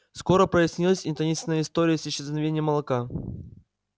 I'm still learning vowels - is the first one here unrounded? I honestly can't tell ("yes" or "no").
no